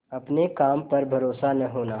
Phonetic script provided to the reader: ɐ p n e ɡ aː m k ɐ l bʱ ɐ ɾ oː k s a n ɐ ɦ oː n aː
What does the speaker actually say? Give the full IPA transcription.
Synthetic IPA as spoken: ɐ p n e k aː m p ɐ ɾ bʱ ɐ ɾ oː s a n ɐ ɦ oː n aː

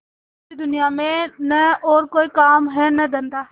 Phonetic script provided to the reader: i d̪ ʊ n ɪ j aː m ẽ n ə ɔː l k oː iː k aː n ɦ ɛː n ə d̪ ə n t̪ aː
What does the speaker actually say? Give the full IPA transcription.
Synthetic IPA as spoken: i d̪ ʊ n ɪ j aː m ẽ n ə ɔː ɾ k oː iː k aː m ɦ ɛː n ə d̪ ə n d̪ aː

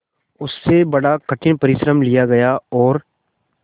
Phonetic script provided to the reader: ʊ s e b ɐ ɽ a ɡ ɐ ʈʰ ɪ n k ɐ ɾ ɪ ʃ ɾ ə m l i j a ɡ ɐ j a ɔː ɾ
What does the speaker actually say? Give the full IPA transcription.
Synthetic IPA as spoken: ʊ sː e b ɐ ɽ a k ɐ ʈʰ ɪ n p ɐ ɾ ɪ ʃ ɾ ə m l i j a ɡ ɐ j a ɔː ɾ

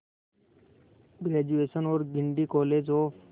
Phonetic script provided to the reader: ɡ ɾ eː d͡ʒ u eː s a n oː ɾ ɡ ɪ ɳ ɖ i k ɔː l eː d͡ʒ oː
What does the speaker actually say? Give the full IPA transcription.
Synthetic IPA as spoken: ɡ ɾ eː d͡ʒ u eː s ə n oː ɾ ɡ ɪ ɳ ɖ i k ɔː l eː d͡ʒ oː

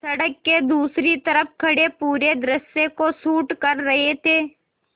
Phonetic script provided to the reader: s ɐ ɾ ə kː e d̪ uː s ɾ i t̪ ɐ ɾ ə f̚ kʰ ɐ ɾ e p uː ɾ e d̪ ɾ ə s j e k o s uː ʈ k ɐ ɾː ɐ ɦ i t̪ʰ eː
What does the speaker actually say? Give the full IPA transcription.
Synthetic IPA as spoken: s ɐ ɽ ə kː e d̪ uː s ɾ i t̪ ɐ ɾ ə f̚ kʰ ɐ ɽ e p uː ɾ e d̪ ɾ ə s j e k o s uː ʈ k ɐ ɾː ɐ ɦ e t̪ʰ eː

